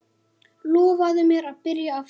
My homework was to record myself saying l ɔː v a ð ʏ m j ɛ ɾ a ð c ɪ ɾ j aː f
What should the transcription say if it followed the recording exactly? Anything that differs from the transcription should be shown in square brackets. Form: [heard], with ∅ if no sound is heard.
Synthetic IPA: l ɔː v a ð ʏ m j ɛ ɾ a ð [p] ɪ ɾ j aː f